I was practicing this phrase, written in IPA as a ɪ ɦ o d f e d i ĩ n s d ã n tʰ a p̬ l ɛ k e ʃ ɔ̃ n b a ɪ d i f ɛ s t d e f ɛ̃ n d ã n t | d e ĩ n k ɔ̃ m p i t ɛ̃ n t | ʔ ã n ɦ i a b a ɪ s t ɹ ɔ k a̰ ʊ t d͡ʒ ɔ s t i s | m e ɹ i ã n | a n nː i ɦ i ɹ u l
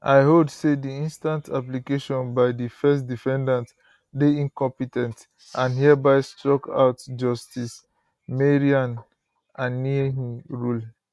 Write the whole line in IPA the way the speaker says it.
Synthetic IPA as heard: a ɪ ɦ o d s e d i ĩ n s t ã n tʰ a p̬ l i k e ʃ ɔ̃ n b a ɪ d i f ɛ s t d i f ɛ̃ n d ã n t | d e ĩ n k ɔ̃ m p i t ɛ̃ n t | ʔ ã n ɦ i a b a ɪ s t ɹ ɔ k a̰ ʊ t d͡ʒ ɔ s t i s | m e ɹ i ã n | a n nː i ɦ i ɹ u l